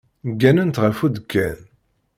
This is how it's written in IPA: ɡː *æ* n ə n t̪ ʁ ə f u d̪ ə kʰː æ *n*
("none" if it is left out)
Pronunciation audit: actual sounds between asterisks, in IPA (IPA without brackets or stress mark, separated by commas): æ, n